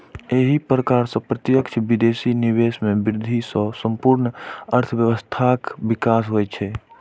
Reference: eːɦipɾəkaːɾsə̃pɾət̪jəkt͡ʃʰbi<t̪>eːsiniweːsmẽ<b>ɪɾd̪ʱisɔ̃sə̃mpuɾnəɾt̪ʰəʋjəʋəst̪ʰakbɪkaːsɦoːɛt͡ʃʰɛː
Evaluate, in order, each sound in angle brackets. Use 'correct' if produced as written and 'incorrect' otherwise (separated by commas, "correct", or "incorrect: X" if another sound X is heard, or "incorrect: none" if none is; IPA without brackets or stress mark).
incorrect: d̪, correct